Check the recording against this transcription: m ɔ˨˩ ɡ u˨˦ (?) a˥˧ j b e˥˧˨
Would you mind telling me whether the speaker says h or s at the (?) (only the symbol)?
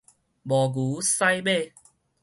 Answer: s